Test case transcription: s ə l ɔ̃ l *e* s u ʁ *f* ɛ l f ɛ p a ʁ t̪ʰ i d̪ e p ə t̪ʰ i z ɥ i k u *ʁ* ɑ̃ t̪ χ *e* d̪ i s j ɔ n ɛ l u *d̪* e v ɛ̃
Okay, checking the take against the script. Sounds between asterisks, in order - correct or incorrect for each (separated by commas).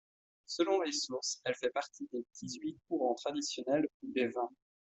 correct, incorrect, correct, incorrect, correct